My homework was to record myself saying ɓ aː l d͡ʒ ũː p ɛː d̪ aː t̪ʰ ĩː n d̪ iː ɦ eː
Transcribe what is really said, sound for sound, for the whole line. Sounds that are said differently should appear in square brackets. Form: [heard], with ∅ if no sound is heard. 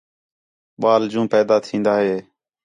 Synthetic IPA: ɓ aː l d͡ʒ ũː p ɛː d̪ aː t̪ʰ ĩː n d̪ [aː] ɦ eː

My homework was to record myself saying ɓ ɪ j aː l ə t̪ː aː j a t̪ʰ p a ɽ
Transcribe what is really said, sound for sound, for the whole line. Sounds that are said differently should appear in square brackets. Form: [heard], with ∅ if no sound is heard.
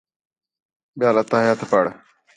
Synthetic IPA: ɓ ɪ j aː l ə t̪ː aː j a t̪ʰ p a ɽ

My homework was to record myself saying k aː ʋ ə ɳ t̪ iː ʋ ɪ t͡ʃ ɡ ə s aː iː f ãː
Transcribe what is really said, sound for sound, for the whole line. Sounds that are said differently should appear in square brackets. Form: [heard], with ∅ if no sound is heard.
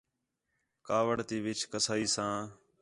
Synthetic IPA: k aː ʋ ə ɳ t̪ iː ʋ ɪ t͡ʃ [k] ə s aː iː [s] ãː

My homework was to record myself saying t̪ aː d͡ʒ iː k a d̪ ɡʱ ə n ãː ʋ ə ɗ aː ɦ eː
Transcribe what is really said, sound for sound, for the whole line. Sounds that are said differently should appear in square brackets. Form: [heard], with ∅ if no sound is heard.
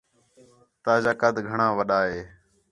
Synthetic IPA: t̪ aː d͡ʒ [aː] k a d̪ ɡʱ ə [ɳ] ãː ʋ ə ɗ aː ɦ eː

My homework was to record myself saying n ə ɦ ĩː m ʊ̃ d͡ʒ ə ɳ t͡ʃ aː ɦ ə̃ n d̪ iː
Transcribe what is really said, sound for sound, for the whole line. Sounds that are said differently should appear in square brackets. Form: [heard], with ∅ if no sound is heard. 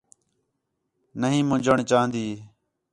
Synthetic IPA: n ə ɦ ĩː m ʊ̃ d͡ʒ ə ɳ t͡ʃ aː ɦ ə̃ n d̪ iː

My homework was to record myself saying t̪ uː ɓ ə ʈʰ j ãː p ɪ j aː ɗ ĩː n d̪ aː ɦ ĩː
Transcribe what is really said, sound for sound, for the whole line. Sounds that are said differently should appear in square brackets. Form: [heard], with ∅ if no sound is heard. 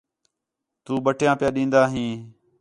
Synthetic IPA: t̪ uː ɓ ə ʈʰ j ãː p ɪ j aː ɗ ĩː n d̪ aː ɦ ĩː

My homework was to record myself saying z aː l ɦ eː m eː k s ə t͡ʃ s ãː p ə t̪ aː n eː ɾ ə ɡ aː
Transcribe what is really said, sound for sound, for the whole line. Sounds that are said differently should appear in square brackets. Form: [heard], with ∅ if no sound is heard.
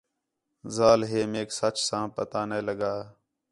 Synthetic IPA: z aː l ɦ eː m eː k s ə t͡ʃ s ãː p ə t̪ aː n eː [l] ə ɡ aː

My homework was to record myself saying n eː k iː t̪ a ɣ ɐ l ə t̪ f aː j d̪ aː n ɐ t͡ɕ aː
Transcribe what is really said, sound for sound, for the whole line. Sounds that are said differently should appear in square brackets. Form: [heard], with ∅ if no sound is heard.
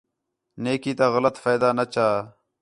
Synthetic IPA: n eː k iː t̪ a ɣ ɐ l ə t̪ f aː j d̪ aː n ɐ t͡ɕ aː

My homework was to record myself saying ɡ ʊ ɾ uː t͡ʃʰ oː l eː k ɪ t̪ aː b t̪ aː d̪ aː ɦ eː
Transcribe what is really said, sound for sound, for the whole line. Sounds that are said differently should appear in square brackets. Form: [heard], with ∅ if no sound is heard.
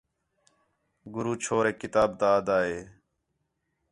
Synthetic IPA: ɡ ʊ ɾ uː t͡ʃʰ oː [ɾ] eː k ɪ t̪ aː b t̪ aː d̪ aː ɦ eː

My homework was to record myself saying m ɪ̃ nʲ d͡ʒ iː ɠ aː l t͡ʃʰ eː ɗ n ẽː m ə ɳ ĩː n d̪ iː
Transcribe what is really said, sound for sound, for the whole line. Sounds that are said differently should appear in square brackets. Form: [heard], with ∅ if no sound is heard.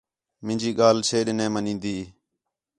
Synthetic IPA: m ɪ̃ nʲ d͡ʒ iː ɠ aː l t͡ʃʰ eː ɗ n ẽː m ə [n] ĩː n d̪ iː

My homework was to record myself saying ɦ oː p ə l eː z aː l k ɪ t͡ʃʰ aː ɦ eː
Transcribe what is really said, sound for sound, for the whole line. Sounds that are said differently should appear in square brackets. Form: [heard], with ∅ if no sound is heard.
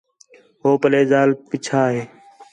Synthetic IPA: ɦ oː p ə l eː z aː l [p] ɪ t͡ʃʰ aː ɦ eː

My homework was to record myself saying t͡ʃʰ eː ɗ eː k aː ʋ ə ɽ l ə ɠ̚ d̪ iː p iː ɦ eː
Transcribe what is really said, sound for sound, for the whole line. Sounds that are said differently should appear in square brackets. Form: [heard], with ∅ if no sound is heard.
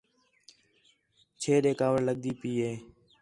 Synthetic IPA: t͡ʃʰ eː ɗ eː k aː ʋ ə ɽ l ə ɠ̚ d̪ iː p iː ɦ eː

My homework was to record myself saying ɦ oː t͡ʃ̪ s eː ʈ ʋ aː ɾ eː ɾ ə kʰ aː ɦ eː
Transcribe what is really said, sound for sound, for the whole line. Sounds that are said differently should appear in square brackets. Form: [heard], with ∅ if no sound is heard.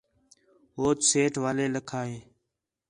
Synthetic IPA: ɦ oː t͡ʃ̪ s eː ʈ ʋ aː [l] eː [l] ə kʰ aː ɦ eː

